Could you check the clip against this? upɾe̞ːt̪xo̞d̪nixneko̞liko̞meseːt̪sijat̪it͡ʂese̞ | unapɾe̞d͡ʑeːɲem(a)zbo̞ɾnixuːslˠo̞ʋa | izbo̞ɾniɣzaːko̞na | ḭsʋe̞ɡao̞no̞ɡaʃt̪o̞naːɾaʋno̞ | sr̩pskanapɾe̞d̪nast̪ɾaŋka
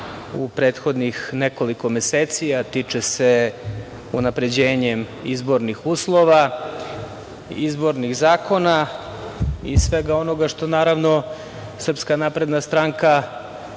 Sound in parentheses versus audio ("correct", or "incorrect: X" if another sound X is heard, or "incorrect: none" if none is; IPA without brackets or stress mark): incorrect: i